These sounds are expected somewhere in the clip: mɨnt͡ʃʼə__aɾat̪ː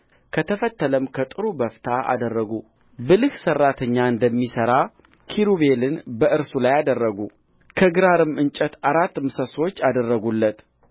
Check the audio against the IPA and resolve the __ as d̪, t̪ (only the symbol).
t̪